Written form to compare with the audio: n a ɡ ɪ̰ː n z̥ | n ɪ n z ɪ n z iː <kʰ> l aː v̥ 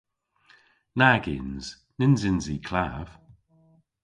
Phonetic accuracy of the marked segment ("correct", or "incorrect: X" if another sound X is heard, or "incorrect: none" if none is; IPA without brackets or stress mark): correct